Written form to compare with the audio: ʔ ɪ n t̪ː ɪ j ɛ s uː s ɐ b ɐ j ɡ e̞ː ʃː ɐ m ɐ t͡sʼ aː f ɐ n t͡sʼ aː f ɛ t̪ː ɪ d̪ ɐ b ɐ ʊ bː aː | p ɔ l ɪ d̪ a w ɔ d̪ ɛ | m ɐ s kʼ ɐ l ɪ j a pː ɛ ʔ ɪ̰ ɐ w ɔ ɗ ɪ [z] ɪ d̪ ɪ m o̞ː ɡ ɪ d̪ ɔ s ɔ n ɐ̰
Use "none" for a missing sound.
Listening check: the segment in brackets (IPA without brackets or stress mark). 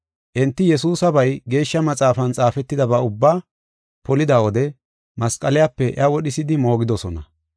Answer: s